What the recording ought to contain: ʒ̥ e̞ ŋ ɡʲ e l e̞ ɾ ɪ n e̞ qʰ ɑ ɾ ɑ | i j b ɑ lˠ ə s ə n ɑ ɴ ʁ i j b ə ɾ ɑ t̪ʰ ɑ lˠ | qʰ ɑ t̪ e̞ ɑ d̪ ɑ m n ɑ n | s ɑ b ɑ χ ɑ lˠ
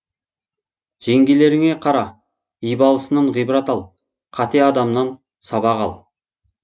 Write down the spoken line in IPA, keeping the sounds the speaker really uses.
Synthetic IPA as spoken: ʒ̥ e̞ ŋ ɡʲ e l e̞ ɾ ɪ ŋ e̞ qʰ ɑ ɾ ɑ | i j b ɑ lˠ ə s ə n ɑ ɴ ʁ i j b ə ɾ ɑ t̪ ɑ lˠ | qʰ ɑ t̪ e̞ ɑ d̪ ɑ m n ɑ n | s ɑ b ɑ ʁ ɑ lˠ

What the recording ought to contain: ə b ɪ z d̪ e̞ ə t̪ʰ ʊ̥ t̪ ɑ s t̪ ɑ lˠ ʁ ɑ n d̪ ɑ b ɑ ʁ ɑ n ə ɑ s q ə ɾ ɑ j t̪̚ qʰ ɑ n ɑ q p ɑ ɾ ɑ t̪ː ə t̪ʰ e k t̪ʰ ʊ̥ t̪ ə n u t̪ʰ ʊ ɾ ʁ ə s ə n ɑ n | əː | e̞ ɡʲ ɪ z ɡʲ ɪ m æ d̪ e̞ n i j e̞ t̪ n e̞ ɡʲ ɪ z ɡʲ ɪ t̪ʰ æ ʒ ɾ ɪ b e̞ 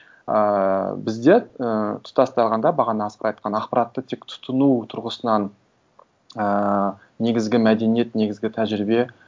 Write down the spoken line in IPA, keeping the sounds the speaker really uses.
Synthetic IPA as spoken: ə b ɪ z d̪ e̞ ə t̪ʰ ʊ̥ t̪ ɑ s t̪ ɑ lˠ ʁ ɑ n d̪ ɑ b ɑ ʁ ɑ n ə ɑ s q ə ɾ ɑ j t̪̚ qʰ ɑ n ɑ q p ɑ ɾ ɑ t̪ː ə t̪ʰ e k t̪ʰ ʊ̥ t̪ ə n u t̪ʰ ʊ ɾ ʁ ə s ə n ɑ n | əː | e̞ ɡʲ ɪ z ɡʲ ɪ m æ d̪ e̞ n i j e̞ t̪ n e̞ ɡʲ ɪ z ɡʲ ɪ t̪ʰ æ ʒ ɾ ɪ b e̞

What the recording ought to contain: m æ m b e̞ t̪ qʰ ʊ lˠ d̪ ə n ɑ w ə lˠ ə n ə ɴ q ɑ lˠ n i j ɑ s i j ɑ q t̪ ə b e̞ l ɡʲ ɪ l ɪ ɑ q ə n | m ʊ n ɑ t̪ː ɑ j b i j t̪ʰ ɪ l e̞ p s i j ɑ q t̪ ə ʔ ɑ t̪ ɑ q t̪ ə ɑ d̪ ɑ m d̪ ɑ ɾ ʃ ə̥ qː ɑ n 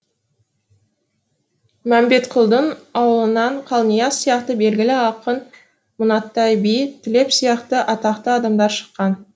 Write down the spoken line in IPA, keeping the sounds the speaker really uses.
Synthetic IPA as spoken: m æ m b e̞ t̪ qʰ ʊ lˠ d̪ ə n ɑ w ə lˠ ə n ɑ ɴ qʰ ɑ lˠ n i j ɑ s i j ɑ q t̪ ə b e̞ l ɡʲ ɪ l ɪ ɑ q ə n | m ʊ n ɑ t̪ː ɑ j b i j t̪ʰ ɪ l e̞ p s i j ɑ q t̪ ə ʔ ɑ t̪ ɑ q t̪ ə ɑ d̪ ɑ m d̪ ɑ ɾ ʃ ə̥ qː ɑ n

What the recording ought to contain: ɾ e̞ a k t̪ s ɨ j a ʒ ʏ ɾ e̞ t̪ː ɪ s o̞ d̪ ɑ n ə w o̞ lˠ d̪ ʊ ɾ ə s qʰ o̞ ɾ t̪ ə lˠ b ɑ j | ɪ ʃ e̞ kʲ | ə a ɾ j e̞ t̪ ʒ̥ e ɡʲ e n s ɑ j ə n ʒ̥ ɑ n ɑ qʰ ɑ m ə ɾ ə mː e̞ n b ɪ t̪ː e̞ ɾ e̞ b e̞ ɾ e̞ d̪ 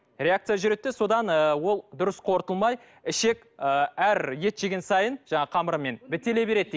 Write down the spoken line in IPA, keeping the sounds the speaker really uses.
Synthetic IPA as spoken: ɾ e̞ a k t̪ s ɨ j a ʒ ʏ ɾ e̞ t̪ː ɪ s o̞ d̪ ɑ n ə w o̞ lˠ d̪ ʊ ɾ ə s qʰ o̞ ɾ t̪ ə lˠ m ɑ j | ɪ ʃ e̞ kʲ | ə æ ɾ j e̞ t̪ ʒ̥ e ɡʲ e n s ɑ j ə n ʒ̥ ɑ ɴ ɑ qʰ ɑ m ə ɾ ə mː e̞ n b ɪ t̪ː e̞ l e̞ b e̞ ɾ e̞ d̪

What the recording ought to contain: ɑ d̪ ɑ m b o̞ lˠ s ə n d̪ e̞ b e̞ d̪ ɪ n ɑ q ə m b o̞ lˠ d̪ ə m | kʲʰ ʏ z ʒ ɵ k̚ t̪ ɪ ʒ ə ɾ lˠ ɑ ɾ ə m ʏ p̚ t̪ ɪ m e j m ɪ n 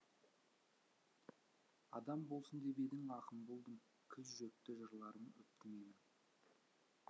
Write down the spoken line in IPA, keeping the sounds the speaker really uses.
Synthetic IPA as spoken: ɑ d̪ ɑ m b o̞ lˠ s ə n d̪ e̞ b e̞ d̪ ɪ ŋ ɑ q ə m b o̞ lˠ d̪ ə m | kʲʰ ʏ z ʒ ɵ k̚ t̪ ɪ ʒ ə ɾ lˠ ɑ ɾ ə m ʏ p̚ t̪ ɪ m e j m ɪ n

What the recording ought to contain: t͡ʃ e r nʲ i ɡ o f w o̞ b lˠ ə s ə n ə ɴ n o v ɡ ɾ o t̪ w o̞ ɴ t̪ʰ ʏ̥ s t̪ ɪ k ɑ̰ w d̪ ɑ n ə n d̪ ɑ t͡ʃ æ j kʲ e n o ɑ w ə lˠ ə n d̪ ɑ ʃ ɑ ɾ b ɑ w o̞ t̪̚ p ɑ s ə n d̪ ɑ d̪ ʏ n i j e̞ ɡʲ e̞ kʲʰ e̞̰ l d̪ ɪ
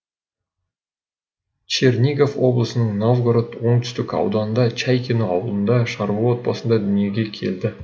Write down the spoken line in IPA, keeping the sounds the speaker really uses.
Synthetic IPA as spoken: t͡ʃ e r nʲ i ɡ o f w o̞ b lˠ ə s ə n ə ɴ n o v ɡ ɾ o t̪ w o̞ ɴ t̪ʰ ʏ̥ s t̪ ɪ k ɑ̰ w d̪ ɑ n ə n d̪ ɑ t͡ʃ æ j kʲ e n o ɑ w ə lˠ ə n d̪ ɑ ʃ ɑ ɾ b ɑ w o̞ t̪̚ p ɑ s ə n d̪ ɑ d̪ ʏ n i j e̞ ɡʲ e̞ kʲʰ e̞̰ l d̪ ɪ

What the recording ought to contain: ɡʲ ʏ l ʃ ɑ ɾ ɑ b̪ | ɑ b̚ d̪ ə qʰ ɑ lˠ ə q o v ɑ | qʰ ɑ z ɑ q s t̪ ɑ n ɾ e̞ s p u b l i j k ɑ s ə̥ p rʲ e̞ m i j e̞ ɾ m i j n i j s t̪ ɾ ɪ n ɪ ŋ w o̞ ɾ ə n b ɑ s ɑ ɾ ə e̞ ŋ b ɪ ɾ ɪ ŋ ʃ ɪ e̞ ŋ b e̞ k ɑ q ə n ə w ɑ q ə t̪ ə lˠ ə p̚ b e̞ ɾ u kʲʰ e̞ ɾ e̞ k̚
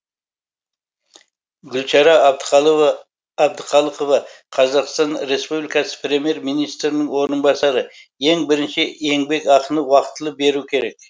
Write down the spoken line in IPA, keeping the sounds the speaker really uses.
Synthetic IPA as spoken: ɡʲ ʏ l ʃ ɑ ɾ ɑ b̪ | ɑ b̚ d̪ ə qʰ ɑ lˠ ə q o v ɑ | qʰ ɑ z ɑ q s t̪ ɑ n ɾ e̞ s p u b l i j k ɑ s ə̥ p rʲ e̞ m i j e̞ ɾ m i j n i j s t̪ ɾ ɪ n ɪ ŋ w o̞ ɾ ə n b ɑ s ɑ ɾ ə e̞ ŋ b ɪ ɾ ɪ n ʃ ɪ e̞ ŋ b e̞ k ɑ q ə n ə w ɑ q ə t̪ ə lˠ ə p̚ b e̞ ɾ u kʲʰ e̞ ɾ e̞ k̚

